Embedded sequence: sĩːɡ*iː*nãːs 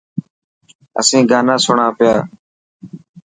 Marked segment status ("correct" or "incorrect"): incorrect